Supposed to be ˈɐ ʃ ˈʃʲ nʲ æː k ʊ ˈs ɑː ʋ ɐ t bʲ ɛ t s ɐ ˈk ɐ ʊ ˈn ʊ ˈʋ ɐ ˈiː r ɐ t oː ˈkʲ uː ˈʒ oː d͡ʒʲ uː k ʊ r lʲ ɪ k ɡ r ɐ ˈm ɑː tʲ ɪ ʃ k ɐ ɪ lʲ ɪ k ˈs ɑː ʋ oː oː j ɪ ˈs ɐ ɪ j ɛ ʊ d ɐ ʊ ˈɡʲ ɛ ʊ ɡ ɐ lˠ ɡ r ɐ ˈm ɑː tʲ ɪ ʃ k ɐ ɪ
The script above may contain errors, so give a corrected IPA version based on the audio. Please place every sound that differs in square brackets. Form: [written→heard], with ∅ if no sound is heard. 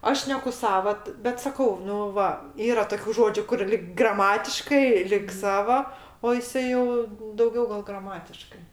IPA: ˈɐ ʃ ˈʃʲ nʲ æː k ʊ ˈs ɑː ʋ ɐ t bʲ ɛ t s ɐ ˈk ɐ ʊ ˈn ʊ ˈʋ ɐ ˈiː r ɐ t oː ˈkʲ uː ˈʒ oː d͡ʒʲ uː k ʊ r lʲ ɪ k ɡ r ɐ ˈm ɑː tʲ ɪ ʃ k ɐ ɪ lʲ ɪ k ˈs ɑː ʋ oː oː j ɪ ˈs ɐ ɪ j ɛ ʊ d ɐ ʊ ˈɡʲ ɛ ʊ ɡ ɐ lˠ ɡ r ɐ ˈm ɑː tʲ ɪ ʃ k ɐ ɪ